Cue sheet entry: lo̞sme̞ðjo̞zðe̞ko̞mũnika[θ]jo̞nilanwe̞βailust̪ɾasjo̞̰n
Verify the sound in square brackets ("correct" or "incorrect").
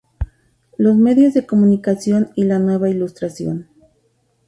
incorrect